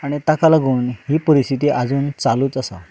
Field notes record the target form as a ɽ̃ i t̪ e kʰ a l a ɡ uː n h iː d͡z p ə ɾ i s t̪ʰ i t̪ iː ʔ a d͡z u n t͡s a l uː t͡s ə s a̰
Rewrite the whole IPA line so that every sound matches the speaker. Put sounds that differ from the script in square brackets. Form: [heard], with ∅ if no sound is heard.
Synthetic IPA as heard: a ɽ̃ i t̪ [a] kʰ a l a ɡ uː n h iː [∅] p ə ɾ i s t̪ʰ i t̪ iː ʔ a d͡z [uː] n t͡s a l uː t͡s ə s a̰

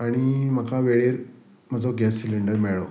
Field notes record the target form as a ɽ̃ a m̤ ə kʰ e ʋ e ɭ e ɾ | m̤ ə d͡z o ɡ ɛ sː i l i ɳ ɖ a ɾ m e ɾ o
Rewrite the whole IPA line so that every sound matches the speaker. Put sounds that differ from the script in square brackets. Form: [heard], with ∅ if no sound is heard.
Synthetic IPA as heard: a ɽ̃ [i] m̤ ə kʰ [a] ʋ e ɭ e ɾ | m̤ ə d͡z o ɡ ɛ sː i l i ɳ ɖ [ə] ɾ m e [ɭ] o

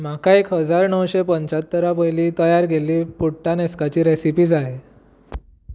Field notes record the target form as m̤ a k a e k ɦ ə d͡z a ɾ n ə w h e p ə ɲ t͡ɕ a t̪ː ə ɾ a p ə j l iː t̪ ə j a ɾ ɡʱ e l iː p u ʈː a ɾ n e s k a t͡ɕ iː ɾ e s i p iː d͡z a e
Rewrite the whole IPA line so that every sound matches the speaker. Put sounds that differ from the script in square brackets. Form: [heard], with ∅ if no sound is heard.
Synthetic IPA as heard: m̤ a k a e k ɦ ə d͡z a ɾ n ə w [ɕ] e p ə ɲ t͡ɕ a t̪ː ə ɾ a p ə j l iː t̪ ə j a ɾ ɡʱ e l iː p u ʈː a [∅] n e s k a t͡ɕ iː ɾ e s i p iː d͡z a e

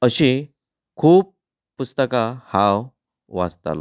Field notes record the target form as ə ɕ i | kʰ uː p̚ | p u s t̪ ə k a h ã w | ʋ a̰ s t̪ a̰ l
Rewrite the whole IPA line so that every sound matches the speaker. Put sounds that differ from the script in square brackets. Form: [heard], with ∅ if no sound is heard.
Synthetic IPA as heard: ə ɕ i | kʰ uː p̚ | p u s t̪ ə k a h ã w | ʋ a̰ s t̪ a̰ l

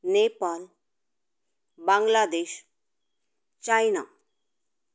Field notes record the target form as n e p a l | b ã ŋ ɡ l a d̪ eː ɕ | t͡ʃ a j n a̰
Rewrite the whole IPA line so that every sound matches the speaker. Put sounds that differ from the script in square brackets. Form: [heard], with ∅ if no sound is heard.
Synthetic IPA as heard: n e p a l | b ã ŋ ɡ l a d̪ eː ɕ | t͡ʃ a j n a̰

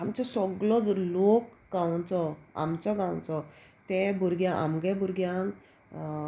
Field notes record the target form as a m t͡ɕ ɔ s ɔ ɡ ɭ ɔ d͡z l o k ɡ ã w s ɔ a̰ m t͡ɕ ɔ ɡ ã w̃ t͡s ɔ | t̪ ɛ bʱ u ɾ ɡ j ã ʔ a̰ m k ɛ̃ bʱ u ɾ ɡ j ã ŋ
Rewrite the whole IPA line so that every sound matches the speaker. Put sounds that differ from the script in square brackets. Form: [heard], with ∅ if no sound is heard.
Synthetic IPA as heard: a m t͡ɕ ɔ s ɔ ɡ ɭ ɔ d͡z l o k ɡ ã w [t͡s] ɔ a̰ m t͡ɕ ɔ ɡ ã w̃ t͡s ɔ | t̪ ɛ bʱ u ɾ ɡ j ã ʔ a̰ m [ɡ] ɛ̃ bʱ u ɾ ɡ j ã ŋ

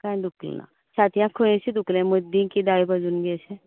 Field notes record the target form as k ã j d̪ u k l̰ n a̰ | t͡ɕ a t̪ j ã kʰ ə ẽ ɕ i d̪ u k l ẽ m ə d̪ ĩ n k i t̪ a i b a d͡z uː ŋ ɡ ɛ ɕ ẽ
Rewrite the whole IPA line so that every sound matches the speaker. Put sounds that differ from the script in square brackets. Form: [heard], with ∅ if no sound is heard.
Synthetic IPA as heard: k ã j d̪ u k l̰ n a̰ | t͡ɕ a t̪ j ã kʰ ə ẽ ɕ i d̪ u k l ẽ m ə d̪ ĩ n k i [d̪] a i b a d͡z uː [n] ɡ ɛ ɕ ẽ

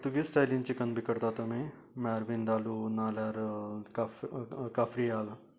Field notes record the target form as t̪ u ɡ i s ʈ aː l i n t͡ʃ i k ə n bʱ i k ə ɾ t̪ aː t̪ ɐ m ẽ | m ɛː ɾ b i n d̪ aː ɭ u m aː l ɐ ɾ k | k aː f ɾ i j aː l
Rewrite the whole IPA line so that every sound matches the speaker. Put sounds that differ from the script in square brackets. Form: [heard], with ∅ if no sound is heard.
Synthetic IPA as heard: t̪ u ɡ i s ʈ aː l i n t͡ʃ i k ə n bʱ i k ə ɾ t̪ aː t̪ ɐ m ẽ | m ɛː ɾ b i n d̪ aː [l] u [n] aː l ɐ ɾ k | k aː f ɾ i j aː l

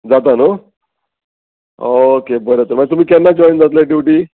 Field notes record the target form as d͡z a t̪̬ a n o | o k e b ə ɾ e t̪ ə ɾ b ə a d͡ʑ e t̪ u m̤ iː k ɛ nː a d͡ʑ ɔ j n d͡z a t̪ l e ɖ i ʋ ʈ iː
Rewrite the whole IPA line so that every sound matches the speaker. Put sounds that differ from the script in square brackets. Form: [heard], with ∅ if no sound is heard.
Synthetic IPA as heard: d͡z a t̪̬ a n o | o k e b ə ɾ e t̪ ə ɾ [m] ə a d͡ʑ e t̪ u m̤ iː k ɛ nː a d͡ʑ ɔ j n d͡z a t̪ l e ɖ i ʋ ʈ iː

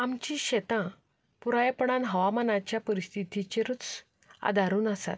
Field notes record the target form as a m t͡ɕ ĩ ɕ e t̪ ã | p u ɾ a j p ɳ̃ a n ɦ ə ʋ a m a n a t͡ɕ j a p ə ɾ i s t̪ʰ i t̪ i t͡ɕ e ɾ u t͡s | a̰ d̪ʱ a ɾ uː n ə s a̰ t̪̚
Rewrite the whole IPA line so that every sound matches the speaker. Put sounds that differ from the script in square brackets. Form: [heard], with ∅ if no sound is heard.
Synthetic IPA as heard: a m t͡ɕ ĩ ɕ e t̪ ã | p u ɾ a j p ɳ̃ a n ɦ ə ʋ a m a n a t͡ɕ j a p ə ɾ i s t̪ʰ i t̪ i t͡ɕ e ɾ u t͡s | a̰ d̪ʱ a ɾ uː n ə s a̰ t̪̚

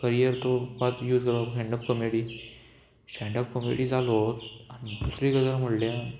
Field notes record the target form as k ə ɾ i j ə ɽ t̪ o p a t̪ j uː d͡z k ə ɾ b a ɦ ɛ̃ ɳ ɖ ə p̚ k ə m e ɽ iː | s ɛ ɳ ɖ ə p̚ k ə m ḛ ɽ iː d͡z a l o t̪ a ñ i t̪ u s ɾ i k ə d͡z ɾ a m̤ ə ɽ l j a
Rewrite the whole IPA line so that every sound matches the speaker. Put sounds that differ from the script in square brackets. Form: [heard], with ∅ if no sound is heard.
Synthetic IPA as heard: k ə ɾ i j ə [ɾ] t̪ o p a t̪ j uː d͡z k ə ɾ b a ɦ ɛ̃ ɳ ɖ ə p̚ k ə m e ɽ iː | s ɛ ɳ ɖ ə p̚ k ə m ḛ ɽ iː d͡z a l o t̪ a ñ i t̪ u s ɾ i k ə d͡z ɾ a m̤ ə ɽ l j a

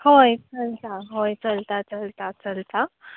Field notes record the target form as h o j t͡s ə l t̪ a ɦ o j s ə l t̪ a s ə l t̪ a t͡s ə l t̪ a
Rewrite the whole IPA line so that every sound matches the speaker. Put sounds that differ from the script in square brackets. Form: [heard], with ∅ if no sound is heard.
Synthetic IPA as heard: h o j t͡s ə l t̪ a ɦ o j [t͡s] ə l t̪ a [t͡s] ə l t̪ a t͡s ə l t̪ a

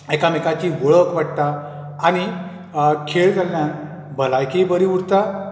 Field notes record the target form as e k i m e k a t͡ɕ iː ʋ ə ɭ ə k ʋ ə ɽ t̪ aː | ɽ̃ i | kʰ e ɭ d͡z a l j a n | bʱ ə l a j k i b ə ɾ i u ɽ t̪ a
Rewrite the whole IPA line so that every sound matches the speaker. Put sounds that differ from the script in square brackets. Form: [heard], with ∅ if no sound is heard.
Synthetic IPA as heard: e k [a] m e k a t͡ɕ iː ʋ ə ɭ ə k ʋ [a] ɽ t̪ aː | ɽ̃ i | kʰ e ɭ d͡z a l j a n | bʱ ə l a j k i b ə ɾ i u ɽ t̪ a

